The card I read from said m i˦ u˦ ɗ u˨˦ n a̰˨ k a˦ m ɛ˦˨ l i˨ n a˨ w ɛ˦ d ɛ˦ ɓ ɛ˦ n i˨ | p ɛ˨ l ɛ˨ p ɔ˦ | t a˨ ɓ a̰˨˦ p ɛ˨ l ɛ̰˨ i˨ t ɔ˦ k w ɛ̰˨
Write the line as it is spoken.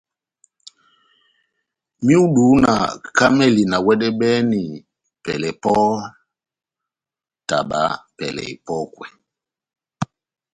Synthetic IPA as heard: m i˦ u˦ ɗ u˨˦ n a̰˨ k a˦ m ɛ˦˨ l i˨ n a˨ w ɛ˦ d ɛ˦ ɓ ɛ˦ n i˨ | p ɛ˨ l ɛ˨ p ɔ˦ | t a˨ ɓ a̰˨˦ p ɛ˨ l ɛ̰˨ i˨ p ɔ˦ k w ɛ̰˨